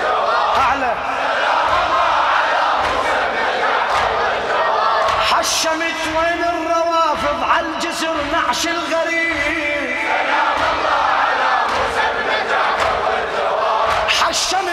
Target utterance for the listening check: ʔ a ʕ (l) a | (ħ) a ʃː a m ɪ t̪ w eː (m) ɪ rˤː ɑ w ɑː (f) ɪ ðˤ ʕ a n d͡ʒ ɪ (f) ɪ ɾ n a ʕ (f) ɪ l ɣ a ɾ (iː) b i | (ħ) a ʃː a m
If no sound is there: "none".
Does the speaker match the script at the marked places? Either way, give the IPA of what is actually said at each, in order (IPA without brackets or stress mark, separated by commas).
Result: l, ħ, n, f, s, ʃ, iː, ħ